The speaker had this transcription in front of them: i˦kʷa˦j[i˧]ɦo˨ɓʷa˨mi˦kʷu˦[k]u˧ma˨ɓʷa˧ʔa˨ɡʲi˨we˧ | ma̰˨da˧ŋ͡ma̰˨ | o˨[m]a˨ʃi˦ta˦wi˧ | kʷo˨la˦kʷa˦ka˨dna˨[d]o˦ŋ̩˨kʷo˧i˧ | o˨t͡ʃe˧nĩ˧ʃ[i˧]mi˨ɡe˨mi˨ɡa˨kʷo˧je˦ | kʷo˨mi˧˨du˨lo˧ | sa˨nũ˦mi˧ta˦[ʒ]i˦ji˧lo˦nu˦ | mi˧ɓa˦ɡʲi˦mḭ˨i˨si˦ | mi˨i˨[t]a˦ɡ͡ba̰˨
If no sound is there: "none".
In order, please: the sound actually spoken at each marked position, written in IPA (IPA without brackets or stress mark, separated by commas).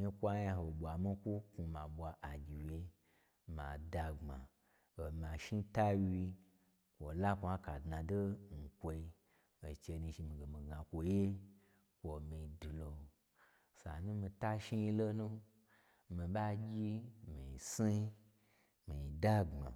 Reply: a˧, k, m, d, i˧, ʃ, d